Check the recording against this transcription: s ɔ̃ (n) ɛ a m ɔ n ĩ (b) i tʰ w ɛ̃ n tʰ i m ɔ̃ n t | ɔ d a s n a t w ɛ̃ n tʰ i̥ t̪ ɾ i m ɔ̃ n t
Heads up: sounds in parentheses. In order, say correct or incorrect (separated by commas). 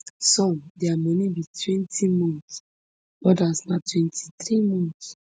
incorrect, correct